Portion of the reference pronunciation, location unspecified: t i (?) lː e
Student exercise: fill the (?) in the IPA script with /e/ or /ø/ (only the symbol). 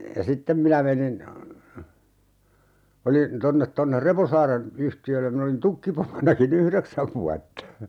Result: ø